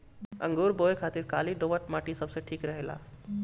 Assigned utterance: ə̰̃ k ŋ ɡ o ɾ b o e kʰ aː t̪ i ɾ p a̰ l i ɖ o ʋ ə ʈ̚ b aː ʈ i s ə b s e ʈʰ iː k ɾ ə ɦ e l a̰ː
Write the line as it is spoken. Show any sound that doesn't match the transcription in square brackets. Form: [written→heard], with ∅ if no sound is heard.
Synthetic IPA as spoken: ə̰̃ [k→∅] ŋ ɡ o ɾ b o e kʰ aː t̪ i ɾ [p→k] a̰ l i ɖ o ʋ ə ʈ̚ [b→m] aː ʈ i s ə b s e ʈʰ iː k ɾ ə ɦ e l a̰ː